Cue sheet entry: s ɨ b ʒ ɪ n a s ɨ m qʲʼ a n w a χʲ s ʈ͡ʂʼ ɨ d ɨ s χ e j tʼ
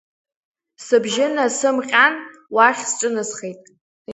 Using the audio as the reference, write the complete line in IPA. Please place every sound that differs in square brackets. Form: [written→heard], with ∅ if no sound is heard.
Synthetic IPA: s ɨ b ʒ ɪ n a s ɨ m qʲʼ a n w a χʲ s ʈ͡ʂʼ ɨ [d→n] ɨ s χ e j tʼ